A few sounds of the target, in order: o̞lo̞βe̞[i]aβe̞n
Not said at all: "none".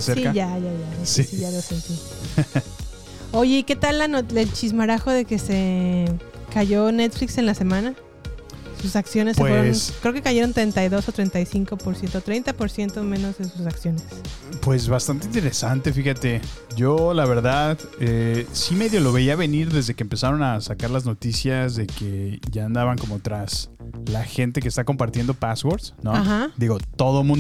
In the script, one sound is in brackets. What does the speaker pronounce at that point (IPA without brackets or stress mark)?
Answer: i